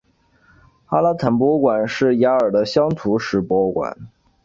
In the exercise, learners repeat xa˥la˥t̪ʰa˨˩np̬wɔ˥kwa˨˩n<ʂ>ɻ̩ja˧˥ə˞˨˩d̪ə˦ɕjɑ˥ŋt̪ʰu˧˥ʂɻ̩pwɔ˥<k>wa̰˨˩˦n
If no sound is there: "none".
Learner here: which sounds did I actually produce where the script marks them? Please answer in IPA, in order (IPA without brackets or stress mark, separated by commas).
ʂ, k